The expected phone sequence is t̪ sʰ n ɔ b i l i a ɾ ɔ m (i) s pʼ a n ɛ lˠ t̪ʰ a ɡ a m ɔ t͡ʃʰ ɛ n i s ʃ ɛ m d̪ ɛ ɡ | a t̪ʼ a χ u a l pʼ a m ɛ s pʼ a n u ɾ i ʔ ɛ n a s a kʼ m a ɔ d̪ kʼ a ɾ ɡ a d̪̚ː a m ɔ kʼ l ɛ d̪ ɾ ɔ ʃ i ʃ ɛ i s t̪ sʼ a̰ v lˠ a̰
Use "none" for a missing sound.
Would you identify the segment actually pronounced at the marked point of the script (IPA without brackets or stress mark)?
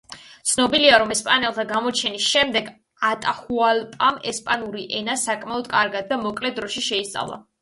ɛ